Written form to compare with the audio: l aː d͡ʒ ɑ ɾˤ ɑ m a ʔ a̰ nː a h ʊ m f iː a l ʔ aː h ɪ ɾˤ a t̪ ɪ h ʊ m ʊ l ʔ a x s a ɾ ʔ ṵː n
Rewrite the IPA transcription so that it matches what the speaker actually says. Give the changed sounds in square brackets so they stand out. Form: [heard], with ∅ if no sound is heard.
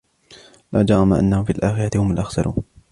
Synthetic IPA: l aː d͡ʒ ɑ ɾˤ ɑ m a ʔ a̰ nː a h ʊ m f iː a l ʔ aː [x] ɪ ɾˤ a t̪ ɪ h ʊ m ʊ l ʔ a x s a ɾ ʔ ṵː n